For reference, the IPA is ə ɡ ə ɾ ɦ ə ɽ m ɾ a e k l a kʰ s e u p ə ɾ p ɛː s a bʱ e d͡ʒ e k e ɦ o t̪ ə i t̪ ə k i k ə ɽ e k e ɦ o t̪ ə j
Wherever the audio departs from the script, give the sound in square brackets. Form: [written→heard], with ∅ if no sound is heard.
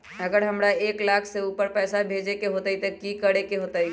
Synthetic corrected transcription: ə ɡ ə ɾ ɦ ə [ɽ→∅] m ɾ a e k l a kʰ s e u p ə ɾ p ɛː s a bʱ e d͡ʒ e k e ɦ o t̪ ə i t̪ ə k i k ə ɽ e k e ɦ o t̪ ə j